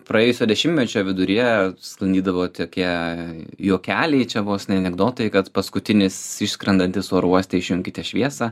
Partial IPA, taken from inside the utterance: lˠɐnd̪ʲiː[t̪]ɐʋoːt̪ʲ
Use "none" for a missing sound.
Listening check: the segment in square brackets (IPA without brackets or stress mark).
d̪